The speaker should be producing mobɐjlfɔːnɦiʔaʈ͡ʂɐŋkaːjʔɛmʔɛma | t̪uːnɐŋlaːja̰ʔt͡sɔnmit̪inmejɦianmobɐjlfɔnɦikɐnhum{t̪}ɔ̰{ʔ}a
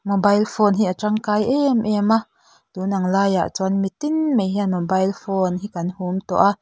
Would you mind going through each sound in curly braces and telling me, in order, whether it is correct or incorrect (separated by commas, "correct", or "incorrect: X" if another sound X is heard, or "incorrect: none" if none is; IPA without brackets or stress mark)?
correct, correct